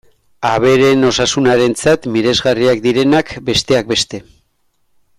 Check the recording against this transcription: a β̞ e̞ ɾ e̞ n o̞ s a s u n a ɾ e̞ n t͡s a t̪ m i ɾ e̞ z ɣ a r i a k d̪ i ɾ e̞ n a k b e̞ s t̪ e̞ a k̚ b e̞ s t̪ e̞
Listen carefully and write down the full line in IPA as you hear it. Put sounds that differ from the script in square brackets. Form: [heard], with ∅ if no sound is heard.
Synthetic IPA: a β̞ e̞ ɾ e̞ n o̞ s a s u n a ɾ e̞ n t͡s a t̪ m i ɾ e̞ z ɣ a r i a k d̪ i ɾ e̞ n a k b e̞ s t̪ e̞ a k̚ b e̞ s t̪ e̞